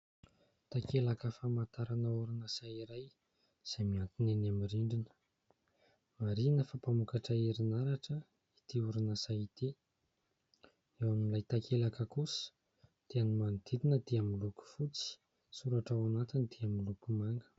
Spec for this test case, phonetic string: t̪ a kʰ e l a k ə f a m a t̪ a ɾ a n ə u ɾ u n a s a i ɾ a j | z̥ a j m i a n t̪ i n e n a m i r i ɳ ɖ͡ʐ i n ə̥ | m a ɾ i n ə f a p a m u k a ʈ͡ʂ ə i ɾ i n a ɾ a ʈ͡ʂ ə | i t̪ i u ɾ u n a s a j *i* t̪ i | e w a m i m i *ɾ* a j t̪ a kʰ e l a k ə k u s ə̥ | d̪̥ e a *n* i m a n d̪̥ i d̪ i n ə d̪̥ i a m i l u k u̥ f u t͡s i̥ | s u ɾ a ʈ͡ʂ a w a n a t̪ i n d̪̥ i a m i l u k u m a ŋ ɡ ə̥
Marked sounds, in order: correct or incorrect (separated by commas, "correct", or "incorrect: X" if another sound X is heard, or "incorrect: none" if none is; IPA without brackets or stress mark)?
correct, incorrect: l, correct